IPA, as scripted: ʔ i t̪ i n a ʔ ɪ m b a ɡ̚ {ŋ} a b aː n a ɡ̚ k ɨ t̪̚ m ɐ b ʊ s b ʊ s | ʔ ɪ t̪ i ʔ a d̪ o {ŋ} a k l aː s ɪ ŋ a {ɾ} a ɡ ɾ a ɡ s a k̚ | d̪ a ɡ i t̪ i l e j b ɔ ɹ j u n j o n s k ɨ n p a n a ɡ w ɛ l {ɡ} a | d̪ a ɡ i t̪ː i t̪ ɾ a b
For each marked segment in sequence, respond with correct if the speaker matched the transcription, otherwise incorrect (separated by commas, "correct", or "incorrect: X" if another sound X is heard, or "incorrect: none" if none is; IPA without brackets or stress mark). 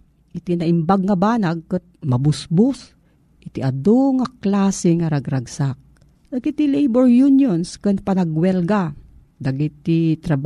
correct, correct, correct, correct